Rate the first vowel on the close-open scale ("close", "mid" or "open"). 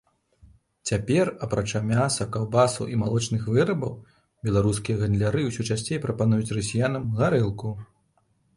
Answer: open